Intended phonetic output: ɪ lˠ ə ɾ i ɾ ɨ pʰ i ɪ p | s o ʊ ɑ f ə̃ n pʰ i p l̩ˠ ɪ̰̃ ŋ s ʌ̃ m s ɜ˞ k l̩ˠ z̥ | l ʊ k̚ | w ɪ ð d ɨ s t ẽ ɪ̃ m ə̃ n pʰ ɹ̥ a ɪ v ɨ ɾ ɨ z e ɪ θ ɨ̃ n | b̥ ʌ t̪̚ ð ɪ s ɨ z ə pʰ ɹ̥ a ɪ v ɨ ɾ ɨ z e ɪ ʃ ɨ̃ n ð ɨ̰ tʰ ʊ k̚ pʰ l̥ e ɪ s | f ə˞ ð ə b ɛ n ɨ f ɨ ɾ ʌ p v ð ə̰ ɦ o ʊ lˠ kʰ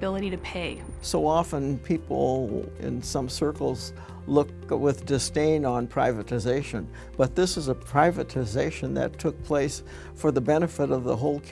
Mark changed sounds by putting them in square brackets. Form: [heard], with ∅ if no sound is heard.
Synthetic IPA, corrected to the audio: ɪ lˠ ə ɾ i ɾ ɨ pʰ [e] ɪ [∅] | s o ʊ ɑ f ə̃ n pʰ i p l̩ˠ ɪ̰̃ [n] s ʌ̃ m s ɜ˞ k l̩ˠ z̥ | l ʊ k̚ | w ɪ ð d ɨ s t ẽ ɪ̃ [n] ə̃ n pʰ ɹ̥ a ɪ v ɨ ɾ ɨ z e ɪ [ʃ] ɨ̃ n | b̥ ʌ t̪̚ ð ɪ s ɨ z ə pʰ ɹ̥ a ɪ v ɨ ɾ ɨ z e ɪ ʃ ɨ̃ n ð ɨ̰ tʰ ʊ k̚ pʰ l̥ e ɪ s | f ə˞ ð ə b ɛ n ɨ f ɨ ɾ ʌ [∅] v ð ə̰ ɦ o ʊ lˠ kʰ